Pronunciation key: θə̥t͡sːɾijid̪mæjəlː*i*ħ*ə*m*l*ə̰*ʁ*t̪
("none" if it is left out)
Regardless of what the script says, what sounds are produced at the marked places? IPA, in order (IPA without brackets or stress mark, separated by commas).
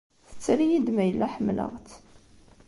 æ, ə, l, ʁ